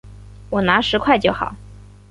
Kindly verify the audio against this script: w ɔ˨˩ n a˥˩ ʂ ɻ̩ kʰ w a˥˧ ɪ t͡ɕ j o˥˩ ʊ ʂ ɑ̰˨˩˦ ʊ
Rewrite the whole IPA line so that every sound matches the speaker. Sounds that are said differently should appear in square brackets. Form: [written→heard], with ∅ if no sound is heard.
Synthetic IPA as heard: w ɔ˨˩ n [a˥˩→a˧˥] ʂ ɻ̩ kʰ w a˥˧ ɪ t͡ɕ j o˥˩ ʊ [ʂ→x] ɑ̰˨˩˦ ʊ